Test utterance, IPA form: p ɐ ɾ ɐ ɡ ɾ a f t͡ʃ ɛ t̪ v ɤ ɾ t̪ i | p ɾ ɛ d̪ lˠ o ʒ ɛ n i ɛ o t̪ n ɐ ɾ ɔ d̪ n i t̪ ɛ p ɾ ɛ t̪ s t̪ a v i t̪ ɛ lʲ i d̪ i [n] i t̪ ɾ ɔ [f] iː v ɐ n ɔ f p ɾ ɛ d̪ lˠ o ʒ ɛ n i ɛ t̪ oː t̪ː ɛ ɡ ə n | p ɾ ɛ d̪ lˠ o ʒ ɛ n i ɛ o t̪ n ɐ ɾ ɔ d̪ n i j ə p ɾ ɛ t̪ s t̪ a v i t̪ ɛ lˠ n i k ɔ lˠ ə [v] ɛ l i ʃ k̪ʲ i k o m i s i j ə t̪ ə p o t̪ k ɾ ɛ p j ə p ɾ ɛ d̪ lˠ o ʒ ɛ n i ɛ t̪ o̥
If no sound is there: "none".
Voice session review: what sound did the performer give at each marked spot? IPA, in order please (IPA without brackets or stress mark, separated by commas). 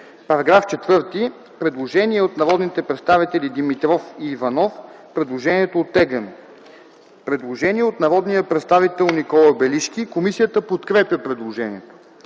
m, f, b